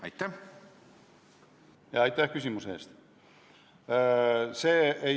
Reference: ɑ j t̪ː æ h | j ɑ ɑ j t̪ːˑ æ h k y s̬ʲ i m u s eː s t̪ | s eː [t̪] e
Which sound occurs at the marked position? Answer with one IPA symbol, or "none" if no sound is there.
none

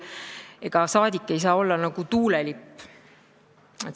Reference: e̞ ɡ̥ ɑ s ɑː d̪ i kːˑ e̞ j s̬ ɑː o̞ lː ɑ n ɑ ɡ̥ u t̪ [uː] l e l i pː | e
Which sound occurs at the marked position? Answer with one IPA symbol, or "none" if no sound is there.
uː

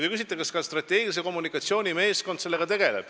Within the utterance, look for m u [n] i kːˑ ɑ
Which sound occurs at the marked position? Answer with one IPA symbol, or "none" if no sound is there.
n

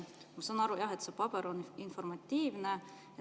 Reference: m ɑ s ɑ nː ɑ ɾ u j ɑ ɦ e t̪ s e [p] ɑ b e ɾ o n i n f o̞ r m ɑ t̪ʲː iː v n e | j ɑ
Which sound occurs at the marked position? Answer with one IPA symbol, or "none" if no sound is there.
p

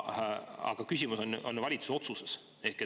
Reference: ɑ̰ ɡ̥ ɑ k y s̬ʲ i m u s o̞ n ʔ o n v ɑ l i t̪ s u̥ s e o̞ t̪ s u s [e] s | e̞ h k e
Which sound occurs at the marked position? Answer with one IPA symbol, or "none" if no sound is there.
e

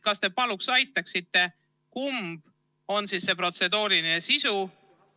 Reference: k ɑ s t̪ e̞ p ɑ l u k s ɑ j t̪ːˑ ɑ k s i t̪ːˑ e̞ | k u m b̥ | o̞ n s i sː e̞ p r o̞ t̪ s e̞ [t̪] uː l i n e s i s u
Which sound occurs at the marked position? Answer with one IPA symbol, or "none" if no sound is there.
d̪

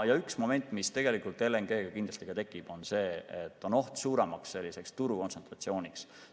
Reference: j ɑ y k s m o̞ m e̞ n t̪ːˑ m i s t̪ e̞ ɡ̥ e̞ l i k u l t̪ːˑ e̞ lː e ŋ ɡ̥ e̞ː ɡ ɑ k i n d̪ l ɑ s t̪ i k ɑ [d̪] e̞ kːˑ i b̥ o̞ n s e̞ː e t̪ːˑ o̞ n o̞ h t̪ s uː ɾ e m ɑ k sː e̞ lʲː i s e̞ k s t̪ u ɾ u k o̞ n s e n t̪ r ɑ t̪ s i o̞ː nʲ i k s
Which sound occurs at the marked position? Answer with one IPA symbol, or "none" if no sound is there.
t̪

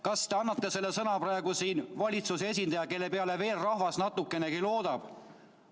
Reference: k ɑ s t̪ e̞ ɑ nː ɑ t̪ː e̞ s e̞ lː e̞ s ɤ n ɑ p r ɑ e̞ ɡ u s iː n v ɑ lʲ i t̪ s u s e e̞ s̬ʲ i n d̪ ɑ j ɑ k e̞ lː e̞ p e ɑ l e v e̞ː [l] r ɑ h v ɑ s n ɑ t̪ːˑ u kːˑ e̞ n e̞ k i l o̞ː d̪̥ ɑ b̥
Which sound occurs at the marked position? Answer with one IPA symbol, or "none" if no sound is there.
l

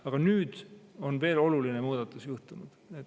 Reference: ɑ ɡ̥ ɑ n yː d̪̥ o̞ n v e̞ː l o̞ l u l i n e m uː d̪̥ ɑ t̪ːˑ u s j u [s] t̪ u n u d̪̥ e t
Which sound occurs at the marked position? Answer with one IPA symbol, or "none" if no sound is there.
h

